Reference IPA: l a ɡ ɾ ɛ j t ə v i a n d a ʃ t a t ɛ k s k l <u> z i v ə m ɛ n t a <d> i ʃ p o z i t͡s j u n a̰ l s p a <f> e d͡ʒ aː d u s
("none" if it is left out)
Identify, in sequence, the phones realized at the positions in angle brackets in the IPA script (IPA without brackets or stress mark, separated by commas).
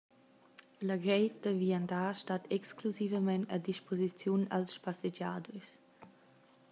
u, d, s